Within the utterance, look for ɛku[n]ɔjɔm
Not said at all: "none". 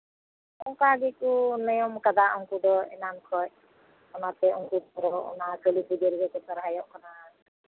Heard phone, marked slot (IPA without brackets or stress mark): n